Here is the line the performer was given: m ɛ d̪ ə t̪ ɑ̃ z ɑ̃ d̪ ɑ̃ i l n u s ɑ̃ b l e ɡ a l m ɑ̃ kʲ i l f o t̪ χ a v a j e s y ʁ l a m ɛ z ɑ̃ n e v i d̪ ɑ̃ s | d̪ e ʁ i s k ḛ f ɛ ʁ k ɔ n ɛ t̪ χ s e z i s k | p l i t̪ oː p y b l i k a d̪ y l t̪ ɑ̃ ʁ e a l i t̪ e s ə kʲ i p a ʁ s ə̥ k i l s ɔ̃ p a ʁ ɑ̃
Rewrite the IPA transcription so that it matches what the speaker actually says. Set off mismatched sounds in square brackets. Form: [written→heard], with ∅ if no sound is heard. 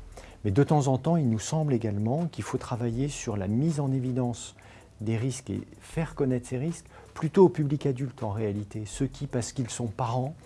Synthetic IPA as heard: m ɛ d̪ ə t̪ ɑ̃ z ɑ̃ [d̪→t̪] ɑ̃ i l n u s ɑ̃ b l e ɡ a l m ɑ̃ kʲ i l f o t̪ χ a v a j e s y ʁ l a m [ɛ→i] z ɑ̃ n e v i d̪ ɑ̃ s | d̪ e ʁ i s k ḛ f ɛ ʁ k ɔ n ɛ t̪ χ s e [z→ʁ] i s k | p l [i→y] t̪ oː p y b l i k a d̪ y l t̪ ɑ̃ ʁ e a l i t̪ e s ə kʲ i p a ʁ s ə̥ k i l s ɔ̃ p a ʁ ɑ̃

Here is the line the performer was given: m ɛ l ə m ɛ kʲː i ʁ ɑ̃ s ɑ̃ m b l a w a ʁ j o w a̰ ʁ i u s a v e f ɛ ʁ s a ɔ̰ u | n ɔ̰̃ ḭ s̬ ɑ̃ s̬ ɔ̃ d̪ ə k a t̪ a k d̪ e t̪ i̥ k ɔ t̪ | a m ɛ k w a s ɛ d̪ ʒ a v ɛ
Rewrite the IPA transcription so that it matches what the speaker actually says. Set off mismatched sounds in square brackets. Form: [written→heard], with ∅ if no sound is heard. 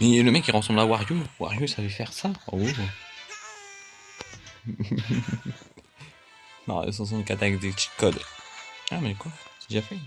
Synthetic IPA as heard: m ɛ l ə m ɛ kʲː i ʁ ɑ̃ s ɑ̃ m b l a w a ʁ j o w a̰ ʁ [i→j] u s a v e f ɛ ʁ s a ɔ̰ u | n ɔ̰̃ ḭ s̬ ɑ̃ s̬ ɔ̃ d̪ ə k a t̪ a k d̪ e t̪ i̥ k ɔ [t̪→d̪] | a m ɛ k w a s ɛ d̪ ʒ a [v→f] ɛ

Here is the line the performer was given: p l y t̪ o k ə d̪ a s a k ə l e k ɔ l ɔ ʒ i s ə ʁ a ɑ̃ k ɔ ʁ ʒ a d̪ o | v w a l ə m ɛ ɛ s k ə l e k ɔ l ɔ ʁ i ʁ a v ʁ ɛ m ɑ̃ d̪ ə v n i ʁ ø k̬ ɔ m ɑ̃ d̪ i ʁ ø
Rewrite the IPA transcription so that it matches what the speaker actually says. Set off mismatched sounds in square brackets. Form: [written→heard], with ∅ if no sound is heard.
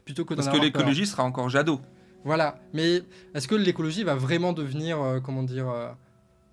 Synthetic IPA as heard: p l y t̪ o k ə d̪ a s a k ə l e k ɔ l ɔ ʒ i s ə ʁ a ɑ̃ k ɔ ʁ ʒ a d̪ o | v w a l [ə→a] m ɛ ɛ s k ə l e k ɔ l ɔ [ʁ→ʒ] i [ʁ→v] a v ʁ ɛ m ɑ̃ d̪ ə v n i ʁ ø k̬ ɔ m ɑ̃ d̪ i ʁ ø

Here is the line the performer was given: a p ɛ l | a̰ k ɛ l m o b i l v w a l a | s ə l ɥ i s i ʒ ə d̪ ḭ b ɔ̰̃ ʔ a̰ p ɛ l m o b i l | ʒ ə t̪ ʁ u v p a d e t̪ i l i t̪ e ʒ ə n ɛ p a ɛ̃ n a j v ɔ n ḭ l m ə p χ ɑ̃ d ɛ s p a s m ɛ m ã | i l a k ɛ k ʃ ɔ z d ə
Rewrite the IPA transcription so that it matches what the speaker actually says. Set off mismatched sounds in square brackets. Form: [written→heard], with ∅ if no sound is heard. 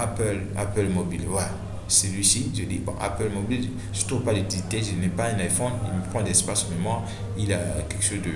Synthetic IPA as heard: a p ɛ l | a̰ [k→p] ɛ l m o b i l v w a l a | s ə l ɥ i s i ʒ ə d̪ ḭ b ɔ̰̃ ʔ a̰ p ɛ l m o b i l | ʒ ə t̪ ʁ u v p a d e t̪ i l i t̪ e ʒ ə n ɛ p a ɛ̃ n a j [v→f] ɔ n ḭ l m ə p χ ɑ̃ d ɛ s p a s m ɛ m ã | i l a k ɛ k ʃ [ɔ→o] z d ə

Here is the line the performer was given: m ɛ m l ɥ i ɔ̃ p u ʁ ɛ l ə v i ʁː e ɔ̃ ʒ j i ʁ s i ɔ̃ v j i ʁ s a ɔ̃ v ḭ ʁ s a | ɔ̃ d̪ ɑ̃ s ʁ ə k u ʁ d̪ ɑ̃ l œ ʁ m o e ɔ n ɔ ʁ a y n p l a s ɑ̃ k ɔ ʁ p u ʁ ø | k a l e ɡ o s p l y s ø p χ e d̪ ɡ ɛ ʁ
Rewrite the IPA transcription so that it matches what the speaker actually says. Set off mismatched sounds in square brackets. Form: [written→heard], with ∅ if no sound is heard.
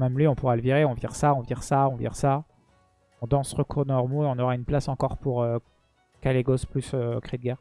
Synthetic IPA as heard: m ɛ m l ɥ i ɔ̃ p u ʁ [ɛ→a] l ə v i [ʁː→ʁ] e ɔ̃ [ʒ→v] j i ʁ s [i→a] ɔ̃ v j i ʁ s a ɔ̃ v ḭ ʁ s a | ɔ̃ d̪ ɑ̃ s ʁ ə k u ʁ d̪ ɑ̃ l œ ʁ m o e [ɔ→ɔ̃] n ɔ ʁ a y n p l a s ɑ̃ k ɔ ʁ p u ʁ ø | k a l e ɡ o s p l y s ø [p→k] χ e d̪ ɡ ɛ ʁ

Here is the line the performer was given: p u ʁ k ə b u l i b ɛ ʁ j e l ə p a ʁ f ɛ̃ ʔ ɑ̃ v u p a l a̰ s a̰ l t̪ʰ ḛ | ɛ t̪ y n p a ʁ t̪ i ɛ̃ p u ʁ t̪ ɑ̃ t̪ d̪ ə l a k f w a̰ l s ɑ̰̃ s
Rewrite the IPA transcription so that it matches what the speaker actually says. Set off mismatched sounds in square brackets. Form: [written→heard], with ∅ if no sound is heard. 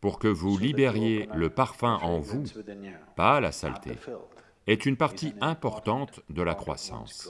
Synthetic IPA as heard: p u ʁ k ə [b→v] u l i b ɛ ʁ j e l ə p a ʁ f ɛ̃ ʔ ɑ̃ v u p a l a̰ s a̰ l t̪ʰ ḛ | ɛ t̪ y n p a ʁ t̪ i ɛ̃ p [u→ɔ] ʁ t̪ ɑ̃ t̪ d̪ ə l a k [f→χ] w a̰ [l→∅] s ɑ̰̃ s

